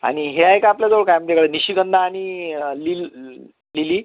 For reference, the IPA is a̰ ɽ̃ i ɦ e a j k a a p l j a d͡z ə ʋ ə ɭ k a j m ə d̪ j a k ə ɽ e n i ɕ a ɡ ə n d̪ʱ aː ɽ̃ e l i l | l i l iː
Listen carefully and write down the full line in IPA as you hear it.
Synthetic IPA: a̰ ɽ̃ i ɦ e a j k a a p l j a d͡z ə ʋ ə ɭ k a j m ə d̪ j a k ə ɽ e n i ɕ i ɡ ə n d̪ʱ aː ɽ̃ i l i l | l i l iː